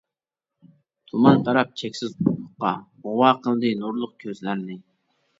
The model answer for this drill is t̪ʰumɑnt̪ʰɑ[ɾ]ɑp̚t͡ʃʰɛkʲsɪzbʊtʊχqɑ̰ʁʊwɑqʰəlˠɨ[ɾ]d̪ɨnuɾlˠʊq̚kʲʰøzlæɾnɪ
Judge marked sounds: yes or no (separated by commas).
yes, no